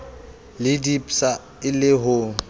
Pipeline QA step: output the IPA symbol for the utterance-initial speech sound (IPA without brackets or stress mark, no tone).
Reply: l